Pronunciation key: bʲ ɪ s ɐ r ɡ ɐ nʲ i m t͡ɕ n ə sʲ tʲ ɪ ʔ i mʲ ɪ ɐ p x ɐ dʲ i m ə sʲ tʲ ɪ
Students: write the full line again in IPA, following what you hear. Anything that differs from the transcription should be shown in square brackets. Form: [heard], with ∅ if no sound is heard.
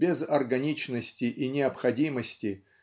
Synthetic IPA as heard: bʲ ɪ [z] ɐ r ɡ ɐ nʲ i [∅] t͡ɕ n ə sʲ tʲ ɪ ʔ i [nʲ] ɪ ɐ p x ɐ dʲ i m ə sʲ tʲ ɪ